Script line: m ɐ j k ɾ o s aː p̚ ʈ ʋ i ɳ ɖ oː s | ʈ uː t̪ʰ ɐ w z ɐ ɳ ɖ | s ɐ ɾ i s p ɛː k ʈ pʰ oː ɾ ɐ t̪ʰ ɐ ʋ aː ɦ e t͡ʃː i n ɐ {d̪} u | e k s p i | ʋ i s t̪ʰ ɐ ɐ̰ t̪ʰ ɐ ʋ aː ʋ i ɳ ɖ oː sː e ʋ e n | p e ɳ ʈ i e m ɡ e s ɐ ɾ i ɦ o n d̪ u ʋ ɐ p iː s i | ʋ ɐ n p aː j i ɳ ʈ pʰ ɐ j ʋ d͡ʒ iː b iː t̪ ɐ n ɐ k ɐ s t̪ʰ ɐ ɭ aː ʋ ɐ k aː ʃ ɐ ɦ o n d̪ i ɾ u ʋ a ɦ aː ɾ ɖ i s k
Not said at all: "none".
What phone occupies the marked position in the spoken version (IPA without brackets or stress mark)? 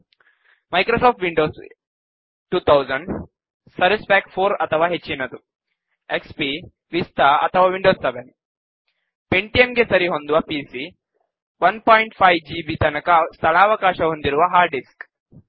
d̪